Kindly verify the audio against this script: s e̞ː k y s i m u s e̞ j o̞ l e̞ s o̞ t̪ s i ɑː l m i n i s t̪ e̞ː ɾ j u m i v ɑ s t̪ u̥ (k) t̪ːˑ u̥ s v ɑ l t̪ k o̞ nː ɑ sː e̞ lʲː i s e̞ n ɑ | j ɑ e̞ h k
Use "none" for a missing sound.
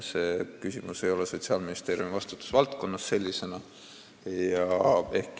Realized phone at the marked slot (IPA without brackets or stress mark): none